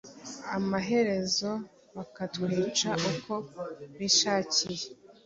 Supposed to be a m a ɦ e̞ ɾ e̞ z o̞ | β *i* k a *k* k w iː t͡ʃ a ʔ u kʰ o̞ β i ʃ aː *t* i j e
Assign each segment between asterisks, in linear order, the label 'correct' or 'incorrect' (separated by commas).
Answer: incorrect, incorrect, incorrect